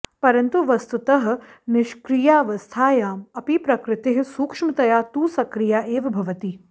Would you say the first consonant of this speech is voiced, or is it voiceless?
voiceless